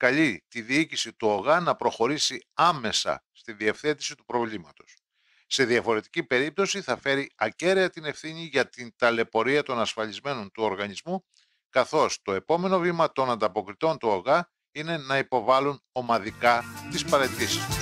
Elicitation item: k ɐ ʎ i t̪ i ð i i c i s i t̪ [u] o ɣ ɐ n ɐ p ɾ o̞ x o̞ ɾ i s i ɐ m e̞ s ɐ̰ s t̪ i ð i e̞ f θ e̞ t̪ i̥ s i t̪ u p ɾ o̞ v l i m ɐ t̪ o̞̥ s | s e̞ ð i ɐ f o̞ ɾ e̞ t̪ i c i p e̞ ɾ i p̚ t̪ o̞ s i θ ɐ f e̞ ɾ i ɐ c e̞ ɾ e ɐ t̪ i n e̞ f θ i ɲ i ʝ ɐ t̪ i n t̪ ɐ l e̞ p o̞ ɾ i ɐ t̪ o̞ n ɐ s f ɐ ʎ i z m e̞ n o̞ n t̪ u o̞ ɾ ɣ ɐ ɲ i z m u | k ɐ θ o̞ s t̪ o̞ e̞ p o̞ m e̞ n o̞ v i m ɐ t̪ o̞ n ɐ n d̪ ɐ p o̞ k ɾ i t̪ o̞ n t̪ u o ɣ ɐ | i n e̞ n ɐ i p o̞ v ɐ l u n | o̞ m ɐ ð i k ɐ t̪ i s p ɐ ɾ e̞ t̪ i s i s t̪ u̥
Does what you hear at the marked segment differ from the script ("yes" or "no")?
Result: no